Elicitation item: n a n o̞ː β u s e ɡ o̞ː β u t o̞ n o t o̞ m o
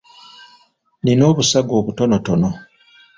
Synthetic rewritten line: n i n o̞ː β u s a ɡ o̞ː β u t o̞ n o t o̞ n o